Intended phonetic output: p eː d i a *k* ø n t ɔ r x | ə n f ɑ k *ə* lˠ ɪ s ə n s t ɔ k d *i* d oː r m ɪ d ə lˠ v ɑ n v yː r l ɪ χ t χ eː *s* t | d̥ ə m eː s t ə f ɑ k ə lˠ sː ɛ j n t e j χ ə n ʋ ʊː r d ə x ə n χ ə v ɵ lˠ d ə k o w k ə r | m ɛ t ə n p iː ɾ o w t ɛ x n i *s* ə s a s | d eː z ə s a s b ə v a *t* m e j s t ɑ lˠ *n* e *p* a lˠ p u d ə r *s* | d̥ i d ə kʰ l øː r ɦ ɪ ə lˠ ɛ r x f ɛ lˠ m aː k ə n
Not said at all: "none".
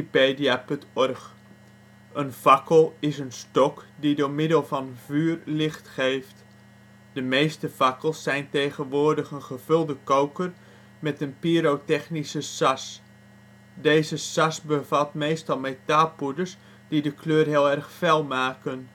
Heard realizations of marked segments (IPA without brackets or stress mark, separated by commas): p, ə, i, f, s, t, m, t, s